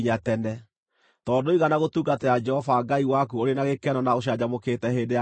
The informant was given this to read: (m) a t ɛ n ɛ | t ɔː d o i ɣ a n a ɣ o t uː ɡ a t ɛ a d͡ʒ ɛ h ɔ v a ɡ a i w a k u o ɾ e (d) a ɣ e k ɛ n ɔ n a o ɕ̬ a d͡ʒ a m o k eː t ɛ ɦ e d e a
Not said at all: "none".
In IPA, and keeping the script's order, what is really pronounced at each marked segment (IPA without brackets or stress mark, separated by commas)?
ɲ, n